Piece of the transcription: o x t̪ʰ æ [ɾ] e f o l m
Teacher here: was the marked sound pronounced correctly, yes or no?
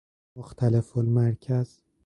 no